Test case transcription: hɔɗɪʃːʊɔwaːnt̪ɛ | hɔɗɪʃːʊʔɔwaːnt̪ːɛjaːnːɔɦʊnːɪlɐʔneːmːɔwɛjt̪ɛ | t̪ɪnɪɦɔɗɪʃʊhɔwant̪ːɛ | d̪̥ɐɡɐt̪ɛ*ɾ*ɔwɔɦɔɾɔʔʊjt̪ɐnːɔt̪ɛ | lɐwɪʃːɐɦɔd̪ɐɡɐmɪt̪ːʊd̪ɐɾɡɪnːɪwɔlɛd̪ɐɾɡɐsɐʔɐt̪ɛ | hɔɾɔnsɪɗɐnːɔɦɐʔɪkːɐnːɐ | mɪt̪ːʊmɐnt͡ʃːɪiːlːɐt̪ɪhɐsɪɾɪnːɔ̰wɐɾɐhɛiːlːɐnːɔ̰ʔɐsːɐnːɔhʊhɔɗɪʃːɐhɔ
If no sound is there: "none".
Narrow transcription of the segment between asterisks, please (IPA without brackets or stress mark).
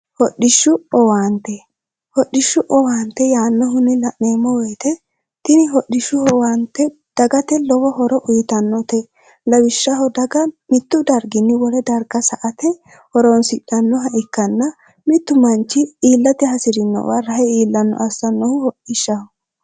l